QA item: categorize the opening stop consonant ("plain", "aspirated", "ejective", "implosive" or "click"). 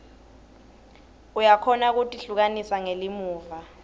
aspirated